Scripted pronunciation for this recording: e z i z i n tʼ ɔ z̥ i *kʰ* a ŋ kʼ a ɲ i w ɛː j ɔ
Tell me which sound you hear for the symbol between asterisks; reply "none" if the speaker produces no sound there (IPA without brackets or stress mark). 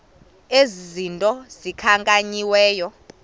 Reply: kʰ